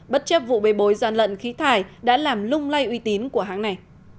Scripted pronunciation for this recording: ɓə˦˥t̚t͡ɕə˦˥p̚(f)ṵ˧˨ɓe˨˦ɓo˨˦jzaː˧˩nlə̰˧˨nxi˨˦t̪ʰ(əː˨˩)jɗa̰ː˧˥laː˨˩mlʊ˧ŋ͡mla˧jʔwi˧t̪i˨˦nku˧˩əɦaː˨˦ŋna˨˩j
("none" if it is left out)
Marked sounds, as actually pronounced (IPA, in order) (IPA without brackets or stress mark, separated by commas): v, aː˨˩